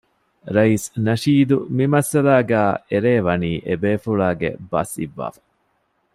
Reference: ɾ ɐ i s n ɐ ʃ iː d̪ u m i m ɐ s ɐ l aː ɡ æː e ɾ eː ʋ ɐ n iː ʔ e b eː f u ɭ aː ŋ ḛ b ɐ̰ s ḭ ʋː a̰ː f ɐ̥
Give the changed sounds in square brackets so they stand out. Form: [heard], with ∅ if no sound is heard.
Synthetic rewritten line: ɾ ɐ i s n ɐ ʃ iː d̪ u m i m ɐ s ɐ l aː ɡ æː e ɾ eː ʋ ɐ n iː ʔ e b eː f u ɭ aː [ɡ] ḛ b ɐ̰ s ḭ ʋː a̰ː f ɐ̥

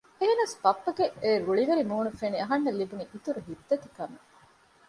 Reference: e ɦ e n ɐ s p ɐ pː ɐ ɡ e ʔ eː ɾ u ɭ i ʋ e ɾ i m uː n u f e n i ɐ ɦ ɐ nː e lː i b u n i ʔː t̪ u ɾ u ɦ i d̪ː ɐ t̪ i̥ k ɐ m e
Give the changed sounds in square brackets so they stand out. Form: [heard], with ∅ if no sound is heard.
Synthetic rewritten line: e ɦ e n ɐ s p ɐ pː ɐ ɡ e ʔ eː ɾ u ɭ i ʋ e ɾ i m uː n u f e n i ɐ ɦ ɐ nː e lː i b u n i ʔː t̪ u ɾ u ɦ i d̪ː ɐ t̪ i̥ k ɐ m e

